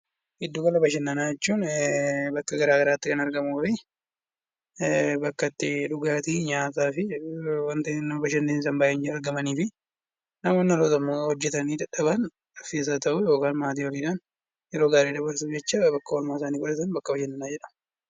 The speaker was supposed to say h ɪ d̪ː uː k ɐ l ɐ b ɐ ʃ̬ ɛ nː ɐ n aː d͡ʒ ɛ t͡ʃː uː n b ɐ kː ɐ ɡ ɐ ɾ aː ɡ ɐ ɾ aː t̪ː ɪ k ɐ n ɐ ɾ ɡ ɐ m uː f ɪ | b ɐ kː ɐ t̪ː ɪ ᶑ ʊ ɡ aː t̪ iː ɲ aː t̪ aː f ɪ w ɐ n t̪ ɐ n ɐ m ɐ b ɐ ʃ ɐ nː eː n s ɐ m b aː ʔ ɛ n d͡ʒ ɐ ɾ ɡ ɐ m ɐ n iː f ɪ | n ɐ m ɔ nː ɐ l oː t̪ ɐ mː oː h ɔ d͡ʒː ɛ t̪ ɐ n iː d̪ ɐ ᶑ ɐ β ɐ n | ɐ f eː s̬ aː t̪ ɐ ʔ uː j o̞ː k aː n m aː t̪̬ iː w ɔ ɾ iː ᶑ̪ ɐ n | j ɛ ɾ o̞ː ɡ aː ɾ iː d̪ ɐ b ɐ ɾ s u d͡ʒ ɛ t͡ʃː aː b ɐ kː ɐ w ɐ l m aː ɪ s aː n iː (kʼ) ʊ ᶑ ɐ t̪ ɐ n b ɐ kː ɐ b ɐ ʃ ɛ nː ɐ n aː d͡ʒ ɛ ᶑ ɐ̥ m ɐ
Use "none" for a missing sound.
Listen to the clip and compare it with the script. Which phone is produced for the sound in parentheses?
k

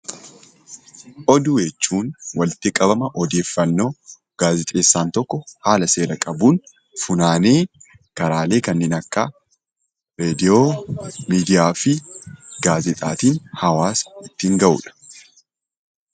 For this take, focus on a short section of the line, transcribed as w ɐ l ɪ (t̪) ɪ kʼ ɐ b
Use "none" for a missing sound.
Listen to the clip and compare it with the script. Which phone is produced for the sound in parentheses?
t̪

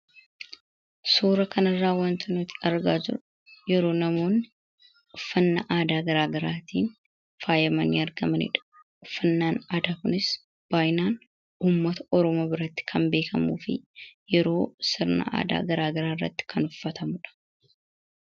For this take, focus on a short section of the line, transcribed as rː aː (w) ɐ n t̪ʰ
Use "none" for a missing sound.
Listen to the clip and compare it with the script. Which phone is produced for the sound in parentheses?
w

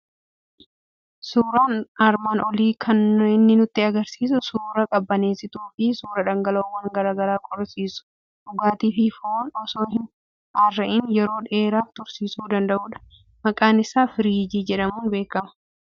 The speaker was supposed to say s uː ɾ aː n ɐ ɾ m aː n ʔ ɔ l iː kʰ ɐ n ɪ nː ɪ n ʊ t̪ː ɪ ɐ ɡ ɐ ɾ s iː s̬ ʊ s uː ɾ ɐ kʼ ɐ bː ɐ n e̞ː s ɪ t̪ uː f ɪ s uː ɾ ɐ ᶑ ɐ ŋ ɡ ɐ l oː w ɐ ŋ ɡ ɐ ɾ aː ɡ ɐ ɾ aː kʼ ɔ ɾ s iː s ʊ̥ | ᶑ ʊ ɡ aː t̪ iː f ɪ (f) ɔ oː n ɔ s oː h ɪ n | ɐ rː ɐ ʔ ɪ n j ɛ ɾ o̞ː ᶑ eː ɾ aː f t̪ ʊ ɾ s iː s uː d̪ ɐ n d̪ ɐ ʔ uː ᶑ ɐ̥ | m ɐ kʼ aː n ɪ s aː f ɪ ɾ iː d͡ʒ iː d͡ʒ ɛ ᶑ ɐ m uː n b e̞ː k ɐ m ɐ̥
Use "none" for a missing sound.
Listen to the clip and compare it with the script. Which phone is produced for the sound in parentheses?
f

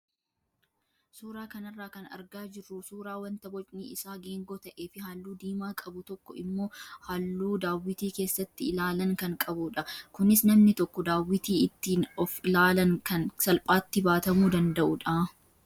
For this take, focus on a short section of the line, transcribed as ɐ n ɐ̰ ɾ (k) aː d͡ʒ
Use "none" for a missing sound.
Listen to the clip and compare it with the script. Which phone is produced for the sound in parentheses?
ɡ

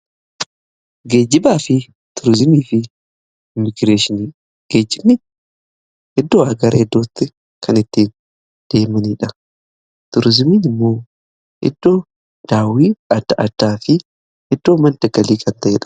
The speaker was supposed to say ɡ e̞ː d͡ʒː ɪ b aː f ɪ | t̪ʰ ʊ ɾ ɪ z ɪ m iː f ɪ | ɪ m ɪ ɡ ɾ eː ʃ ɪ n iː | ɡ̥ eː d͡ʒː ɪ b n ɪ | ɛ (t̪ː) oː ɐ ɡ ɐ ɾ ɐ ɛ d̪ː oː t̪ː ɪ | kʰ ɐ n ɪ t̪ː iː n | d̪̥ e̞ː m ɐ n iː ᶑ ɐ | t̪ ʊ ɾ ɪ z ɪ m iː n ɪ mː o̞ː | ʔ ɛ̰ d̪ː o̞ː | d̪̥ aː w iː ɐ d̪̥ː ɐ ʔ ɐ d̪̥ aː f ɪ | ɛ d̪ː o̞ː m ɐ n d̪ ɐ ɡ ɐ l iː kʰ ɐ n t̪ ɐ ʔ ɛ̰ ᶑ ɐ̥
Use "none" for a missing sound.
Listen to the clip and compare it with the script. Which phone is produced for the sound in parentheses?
d̪ː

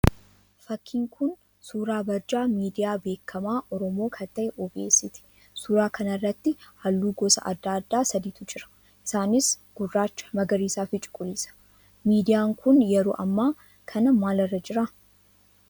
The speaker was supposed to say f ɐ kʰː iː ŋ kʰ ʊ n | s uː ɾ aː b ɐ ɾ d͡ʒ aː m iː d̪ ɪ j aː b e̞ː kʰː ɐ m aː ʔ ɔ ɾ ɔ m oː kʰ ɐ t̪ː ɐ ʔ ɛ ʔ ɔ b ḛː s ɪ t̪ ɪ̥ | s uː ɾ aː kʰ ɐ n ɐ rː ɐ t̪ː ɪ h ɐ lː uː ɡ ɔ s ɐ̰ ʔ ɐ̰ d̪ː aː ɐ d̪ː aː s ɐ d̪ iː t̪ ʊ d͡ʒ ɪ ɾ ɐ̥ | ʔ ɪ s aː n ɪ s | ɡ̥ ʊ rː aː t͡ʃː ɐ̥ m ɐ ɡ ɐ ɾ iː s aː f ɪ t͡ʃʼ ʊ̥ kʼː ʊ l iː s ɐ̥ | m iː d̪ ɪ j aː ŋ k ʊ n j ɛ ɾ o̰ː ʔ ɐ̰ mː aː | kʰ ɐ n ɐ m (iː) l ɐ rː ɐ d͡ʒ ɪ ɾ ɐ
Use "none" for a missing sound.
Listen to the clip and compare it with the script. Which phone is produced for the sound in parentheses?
aː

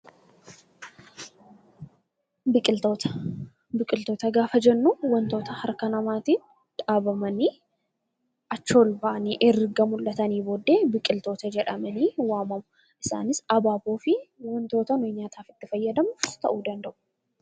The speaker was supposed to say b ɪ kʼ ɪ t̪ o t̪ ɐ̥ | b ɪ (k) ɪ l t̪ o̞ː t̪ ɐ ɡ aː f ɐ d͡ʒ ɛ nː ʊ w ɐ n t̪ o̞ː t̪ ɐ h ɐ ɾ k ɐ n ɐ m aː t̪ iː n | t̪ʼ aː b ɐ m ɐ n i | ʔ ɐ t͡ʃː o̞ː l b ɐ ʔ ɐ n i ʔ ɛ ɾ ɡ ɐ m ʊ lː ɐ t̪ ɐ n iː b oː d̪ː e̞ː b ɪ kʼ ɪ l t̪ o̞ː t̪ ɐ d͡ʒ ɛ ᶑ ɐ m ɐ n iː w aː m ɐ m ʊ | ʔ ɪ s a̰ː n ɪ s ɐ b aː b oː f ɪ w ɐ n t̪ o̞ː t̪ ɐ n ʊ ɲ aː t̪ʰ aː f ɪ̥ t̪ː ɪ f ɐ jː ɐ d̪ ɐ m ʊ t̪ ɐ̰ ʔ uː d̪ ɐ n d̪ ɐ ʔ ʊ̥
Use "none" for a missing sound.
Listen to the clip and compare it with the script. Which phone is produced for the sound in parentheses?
kʼ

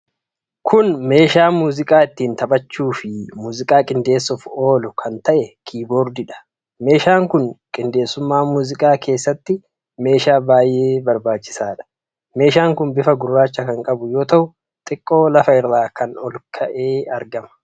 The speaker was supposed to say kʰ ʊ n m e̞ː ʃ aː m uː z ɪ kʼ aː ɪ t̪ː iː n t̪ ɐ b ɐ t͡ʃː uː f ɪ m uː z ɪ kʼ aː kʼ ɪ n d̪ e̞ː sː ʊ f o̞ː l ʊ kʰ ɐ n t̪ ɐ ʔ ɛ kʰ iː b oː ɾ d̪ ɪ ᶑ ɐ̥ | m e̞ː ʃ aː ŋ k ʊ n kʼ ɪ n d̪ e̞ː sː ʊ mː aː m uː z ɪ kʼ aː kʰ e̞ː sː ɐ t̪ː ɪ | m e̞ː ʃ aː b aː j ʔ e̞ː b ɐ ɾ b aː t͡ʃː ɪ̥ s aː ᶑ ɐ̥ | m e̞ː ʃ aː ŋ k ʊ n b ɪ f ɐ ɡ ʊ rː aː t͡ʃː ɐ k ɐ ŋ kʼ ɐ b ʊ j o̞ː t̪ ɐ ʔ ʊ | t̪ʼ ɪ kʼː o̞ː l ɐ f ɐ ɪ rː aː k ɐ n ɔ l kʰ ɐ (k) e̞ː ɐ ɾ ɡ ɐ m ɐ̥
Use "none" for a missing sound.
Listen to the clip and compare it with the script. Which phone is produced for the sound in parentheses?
ʔ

